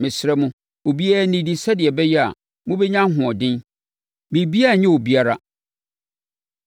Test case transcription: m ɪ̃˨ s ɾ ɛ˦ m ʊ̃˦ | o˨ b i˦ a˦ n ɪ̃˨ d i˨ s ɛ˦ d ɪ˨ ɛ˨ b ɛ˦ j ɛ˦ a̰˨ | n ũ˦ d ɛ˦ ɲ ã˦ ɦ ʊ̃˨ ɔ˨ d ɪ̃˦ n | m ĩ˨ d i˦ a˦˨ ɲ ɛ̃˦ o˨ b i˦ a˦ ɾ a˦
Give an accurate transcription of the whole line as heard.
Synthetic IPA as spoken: m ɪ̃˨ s ɾ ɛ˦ m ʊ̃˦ | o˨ b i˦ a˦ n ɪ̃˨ d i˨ s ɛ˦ d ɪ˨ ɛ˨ b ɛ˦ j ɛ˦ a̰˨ | m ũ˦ b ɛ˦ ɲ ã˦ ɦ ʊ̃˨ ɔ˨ d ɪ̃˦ n | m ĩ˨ b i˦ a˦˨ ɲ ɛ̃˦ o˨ b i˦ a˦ ɾ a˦